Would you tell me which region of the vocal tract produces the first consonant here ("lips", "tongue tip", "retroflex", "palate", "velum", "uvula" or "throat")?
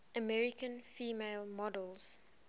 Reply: lips